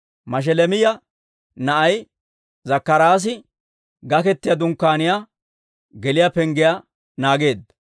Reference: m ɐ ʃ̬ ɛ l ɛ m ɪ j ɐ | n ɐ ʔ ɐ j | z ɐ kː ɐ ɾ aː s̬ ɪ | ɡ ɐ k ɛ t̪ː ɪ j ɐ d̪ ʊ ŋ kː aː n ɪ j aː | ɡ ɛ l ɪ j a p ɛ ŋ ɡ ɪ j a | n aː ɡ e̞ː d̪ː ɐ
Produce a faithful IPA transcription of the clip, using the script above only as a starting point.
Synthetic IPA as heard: m ɐ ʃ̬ ɛ l ɛ m ɪ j ɐ | n ɐ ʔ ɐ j | z ɐ kː ɐ ɾ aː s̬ ɪ | ɡ ɐ k ɛ t̪ː ɪ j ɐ d̪ ʊ ŋ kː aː n ɪ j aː | ɡ ɛ l ɪ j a p ɛ ŋ ɡ ɪ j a | n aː ɡ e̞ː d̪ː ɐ